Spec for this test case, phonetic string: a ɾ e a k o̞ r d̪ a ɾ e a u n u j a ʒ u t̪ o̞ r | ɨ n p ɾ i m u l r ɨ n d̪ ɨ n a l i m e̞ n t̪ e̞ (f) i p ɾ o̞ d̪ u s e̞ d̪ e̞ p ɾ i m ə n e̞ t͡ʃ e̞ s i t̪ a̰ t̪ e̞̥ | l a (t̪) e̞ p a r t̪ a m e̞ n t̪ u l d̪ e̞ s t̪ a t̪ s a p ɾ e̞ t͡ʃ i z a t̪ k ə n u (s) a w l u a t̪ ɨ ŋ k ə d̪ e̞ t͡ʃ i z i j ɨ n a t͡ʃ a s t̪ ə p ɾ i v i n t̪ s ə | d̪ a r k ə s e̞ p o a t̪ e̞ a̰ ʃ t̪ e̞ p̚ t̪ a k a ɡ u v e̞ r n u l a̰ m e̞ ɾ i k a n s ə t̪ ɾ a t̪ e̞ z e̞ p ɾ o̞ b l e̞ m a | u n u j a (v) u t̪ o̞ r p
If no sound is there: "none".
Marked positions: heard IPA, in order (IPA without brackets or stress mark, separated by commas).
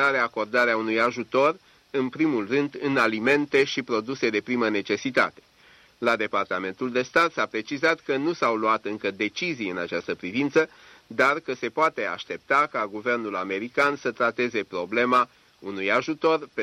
ʃ, d̪, s, ʒ